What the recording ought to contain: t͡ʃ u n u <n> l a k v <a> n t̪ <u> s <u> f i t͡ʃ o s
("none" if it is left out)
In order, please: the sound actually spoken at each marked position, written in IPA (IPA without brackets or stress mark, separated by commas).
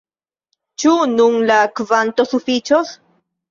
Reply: n, a, o, u